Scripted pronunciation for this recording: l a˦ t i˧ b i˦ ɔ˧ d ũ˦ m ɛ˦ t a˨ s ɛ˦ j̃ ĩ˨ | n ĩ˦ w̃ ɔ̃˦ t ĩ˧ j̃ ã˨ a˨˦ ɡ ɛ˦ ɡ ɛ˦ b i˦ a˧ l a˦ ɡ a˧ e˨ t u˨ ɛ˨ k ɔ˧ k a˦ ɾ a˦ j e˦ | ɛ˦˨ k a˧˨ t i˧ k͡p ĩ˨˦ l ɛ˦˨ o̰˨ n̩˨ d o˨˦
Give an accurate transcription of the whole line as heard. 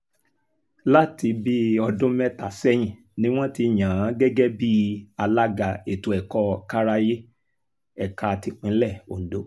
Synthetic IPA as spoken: l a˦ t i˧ b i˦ ɔ˧ d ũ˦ m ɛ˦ t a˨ s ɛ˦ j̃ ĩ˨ | n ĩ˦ w̃ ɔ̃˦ t i˧ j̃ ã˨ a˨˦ ɡ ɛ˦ ɡ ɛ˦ b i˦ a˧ l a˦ ɡ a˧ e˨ t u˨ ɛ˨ k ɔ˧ k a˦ ɾ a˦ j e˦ | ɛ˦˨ k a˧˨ t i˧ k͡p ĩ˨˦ l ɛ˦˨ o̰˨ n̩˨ d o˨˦